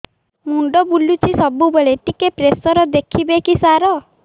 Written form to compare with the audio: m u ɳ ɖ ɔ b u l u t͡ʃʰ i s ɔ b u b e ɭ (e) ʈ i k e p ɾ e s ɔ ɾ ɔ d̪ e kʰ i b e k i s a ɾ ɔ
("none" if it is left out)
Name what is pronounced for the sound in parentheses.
e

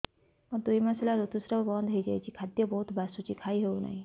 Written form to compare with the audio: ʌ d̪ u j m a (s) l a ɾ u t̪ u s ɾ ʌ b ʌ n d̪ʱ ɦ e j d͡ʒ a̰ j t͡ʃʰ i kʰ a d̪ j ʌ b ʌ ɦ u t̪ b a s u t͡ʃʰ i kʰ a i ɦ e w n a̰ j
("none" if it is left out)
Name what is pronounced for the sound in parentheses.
s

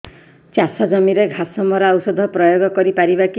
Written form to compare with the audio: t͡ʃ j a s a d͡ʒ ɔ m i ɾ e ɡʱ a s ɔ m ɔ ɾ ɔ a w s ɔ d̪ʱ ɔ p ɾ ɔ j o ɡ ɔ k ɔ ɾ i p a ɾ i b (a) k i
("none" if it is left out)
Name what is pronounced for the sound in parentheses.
a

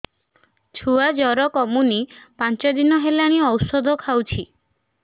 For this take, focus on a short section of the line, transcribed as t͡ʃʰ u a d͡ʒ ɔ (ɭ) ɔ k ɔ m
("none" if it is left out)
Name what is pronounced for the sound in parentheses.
ɾ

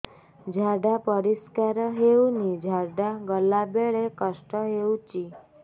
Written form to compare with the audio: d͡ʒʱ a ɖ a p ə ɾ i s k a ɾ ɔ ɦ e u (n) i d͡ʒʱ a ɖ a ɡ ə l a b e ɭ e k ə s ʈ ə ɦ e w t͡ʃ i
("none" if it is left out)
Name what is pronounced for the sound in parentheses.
n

